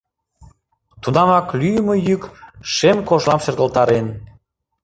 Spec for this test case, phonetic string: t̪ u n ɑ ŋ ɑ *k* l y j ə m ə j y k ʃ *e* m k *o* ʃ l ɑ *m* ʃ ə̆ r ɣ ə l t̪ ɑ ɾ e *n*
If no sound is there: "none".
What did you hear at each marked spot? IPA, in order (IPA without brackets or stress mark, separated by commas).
k, e, o, m, n